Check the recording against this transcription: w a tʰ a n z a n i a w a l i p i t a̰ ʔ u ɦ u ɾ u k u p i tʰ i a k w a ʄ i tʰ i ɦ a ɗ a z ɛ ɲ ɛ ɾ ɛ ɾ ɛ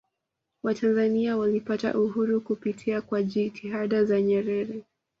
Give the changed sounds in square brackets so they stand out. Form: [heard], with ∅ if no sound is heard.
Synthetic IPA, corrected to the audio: w a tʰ a n z a n i a w a l i p [a] t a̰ ʔ u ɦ u ɾ u k u p i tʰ i a k w a ʄ i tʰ i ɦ a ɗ a z [a] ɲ ɛ ɾ ɛ ɾ ɛ